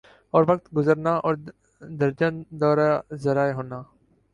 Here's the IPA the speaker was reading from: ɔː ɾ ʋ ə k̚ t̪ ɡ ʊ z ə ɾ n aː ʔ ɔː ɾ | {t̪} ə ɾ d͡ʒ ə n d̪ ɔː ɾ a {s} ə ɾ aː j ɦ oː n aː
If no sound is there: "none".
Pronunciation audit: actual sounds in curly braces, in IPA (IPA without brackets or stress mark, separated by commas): d̪, z